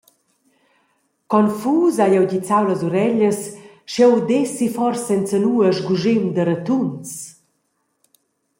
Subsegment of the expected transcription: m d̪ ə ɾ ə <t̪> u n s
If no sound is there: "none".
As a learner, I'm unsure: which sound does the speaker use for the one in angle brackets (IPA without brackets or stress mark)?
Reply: t̪